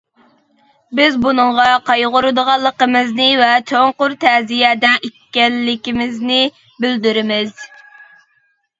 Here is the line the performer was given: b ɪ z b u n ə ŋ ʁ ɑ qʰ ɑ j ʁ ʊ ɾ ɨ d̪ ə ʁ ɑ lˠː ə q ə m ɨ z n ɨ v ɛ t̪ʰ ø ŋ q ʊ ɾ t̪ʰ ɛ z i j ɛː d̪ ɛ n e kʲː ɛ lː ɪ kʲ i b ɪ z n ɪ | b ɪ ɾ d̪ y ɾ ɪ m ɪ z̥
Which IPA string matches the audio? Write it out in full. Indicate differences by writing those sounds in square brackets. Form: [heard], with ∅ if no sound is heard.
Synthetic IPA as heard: b ɪ z b u n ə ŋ ʁ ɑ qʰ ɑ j ʁ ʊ ɾ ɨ d̪ ə ʁ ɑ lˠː ə q ə m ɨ z n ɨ v ɛ t̪ʰ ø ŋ q ʊ ɾ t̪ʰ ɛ z i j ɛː d̪ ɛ n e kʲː ɛ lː ɪ kʲ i [m] ɪ z n ɪ | b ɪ [l] d̪ y ɾ ɪ m ɪ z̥